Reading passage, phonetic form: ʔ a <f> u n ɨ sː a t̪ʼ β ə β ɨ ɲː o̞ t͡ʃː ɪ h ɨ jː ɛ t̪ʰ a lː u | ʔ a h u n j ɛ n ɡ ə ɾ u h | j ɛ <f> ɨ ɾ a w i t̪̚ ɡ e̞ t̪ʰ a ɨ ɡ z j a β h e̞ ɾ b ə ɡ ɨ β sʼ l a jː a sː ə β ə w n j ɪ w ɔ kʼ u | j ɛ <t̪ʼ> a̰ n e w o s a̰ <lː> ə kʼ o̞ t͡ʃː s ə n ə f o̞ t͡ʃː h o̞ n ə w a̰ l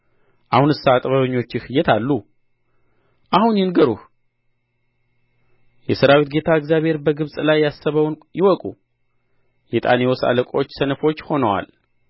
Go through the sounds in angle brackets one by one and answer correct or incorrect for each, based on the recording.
incorrect, incorrect, correct, incorrect

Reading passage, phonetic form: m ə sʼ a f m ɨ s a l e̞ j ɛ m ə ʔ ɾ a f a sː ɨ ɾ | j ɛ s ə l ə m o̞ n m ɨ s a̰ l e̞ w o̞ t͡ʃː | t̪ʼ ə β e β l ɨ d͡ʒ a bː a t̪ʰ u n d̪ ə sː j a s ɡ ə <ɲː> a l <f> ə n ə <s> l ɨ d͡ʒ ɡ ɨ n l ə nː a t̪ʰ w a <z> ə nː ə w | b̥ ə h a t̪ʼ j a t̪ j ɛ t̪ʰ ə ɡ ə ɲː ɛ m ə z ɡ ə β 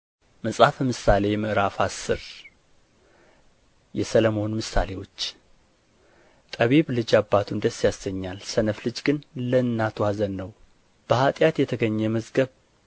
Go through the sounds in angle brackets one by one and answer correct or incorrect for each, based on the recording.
correct, incorrect, incorrect, correct

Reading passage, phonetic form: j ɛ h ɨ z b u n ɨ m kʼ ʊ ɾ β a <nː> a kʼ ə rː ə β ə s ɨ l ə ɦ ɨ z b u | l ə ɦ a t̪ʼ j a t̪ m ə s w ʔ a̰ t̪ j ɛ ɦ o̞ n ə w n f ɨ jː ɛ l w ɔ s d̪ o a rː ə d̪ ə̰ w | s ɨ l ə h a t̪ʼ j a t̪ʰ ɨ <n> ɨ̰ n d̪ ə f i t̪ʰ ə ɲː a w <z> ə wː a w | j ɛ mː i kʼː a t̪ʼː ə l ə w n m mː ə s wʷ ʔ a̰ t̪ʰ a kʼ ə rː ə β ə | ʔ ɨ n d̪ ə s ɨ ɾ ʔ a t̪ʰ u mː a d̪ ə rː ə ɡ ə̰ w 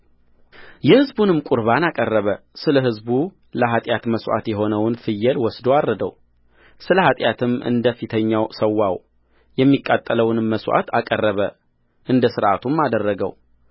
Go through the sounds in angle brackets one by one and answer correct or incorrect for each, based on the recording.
incorrect, incorrect, incorrect

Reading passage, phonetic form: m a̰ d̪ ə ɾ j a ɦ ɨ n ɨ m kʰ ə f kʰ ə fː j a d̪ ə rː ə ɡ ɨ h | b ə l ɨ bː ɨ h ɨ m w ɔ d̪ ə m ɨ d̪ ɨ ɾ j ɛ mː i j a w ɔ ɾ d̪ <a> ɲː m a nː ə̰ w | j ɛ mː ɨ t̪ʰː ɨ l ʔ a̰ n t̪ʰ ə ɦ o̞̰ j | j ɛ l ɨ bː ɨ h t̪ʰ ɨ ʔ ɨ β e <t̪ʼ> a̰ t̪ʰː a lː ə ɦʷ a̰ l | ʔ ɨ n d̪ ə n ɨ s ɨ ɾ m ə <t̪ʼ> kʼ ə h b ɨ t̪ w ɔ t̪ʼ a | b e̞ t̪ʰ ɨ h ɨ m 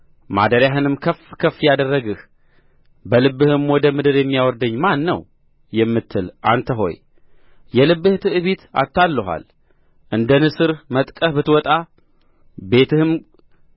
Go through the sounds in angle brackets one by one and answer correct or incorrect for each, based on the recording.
incorrect, incorrect, correct

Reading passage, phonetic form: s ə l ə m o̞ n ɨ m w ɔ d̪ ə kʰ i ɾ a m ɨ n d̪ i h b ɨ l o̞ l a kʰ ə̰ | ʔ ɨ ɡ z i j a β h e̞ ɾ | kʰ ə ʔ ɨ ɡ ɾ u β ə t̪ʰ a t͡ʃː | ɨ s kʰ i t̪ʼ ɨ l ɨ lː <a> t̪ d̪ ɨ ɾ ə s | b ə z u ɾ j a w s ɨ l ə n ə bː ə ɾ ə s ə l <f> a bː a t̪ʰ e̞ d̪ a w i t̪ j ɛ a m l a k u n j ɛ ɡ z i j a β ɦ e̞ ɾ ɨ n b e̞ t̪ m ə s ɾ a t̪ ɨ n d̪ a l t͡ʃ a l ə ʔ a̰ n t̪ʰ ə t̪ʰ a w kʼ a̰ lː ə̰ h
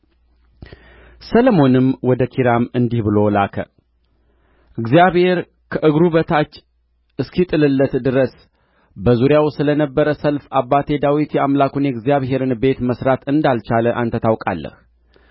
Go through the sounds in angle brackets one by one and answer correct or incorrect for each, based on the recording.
incorrect, correct

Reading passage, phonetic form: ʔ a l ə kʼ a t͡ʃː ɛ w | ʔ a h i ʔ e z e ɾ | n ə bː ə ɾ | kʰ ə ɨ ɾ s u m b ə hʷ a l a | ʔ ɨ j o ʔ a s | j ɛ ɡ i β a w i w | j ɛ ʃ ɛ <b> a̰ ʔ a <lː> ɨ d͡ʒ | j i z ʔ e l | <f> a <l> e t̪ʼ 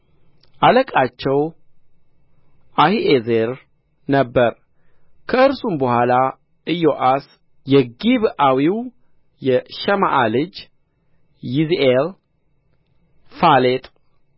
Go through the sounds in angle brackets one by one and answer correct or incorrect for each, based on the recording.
incorrect, incorrect, correct, correct

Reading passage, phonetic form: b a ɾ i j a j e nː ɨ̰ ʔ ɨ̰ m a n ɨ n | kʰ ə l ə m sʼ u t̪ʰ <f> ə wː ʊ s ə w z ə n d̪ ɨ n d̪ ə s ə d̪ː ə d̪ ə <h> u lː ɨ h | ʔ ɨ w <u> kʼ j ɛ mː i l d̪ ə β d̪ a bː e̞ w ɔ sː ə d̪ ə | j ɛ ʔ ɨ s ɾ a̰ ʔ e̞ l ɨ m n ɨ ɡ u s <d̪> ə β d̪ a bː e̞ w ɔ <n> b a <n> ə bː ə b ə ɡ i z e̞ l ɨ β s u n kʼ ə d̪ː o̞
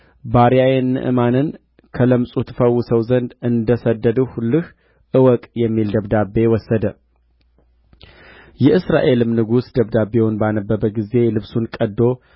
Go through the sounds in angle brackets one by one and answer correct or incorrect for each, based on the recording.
correct, correct, incorrect, correct, correct, correct

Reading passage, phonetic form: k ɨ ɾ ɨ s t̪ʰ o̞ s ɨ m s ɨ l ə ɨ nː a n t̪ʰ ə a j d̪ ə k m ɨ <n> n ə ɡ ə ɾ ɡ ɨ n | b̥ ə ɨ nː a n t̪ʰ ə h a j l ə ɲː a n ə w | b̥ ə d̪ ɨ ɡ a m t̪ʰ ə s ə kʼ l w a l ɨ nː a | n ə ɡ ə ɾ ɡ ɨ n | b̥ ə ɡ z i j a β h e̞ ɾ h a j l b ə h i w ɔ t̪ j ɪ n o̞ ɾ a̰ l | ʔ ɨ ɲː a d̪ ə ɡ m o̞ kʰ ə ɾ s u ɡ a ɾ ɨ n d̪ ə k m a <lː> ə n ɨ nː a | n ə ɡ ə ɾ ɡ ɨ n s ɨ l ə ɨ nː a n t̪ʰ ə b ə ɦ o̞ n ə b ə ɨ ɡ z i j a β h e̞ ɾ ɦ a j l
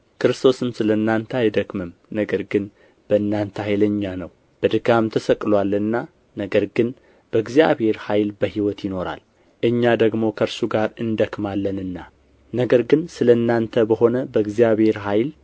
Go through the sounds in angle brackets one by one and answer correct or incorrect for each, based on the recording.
incorrect, correct

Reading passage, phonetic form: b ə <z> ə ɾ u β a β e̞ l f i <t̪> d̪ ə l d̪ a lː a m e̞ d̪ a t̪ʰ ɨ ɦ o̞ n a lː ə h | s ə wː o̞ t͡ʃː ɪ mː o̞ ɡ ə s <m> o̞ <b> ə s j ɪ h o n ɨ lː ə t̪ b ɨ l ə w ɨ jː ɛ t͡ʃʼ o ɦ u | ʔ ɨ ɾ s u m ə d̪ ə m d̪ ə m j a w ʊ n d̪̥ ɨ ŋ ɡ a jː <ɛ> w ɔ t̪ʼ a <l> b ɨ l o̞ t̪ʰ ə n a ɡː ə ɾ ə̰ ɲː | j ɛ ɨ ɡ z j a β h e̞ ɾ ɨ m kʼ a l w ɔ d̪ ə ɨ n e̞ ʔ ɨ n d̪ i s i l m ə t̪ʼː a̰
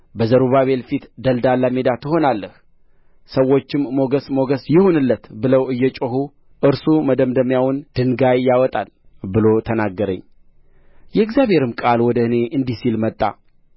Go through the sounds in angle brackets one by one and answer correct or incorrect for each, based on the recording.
correct, correct, correct, incorrect, incorrect, correct

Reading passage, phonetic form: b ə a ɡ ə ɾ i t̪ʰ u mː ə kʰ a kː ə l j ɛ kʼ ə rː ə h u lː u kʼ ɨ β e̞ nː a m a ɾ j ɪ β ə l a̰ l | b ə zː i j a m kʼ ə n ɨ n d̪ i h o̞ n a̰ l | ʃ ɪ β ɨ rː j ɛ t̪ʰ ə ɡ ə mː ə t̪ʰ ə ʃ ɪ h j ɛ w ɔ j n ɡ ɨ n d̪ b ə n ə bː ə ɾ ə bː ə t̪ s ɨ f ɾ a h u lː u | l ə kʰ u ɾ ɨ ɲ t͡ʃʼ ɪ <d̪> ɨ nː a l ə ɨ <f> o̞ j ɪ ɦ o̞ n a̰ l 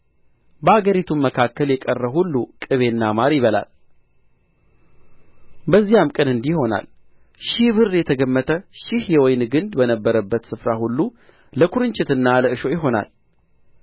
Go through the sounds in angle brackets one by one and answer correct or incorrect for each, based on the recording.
incorrect, incorrect

